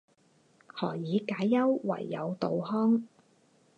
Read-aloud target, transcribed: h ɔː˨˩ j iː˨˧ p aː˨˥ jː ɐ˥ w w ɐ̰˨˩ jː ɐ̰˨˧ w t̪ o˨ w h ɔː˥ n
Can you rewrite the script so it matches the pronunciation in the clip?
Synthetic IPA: h ɔː˨˩ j iː˨˧ k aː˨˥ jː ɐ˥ w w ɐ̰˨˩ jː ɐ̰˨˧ w t̪ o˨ w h ɔː˥ ŋ